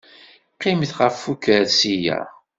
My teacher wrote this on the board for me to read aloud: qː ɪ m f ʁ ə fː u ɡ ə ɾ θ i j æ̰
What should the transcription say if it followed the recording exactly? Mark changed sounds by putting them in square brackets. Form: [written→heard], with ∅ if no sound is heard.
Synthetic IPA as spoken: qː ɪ m [f→θ] ʁ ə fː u [ɡ→k] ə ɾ [θ→s] i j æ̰

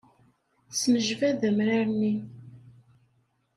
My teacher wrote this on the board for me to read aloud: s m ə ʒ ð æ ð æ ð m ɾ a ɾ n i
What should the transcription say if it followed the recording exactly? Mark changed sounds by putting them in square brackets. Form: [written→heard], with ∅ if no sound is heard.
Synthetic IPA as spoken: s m ə ʒ [ð→v] æ ð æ [ð→∅] m ɾ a ɾ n i

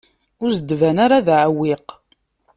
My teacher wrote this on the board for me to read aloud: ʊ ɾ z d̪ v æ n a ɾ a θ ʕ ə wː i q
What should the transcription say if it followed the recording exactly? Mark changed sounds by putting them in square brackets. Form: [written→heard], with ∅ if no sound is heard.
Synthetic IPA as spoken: ʊ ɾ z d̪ v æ n a ɾ a [θ→ð] ʕ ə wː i q

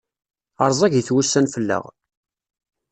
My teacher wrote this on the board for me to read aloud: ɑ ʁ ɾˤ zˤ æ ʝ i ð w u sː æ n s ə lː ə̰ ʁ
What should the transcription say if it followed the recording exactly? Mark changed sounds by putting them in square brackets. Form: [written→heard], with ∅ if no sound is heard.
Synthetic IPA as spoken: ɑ [ʁ→∅] ɾˤ zˤ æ ʝ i [ð→θ] w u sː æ n [s→f] ə lː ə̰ ʁ

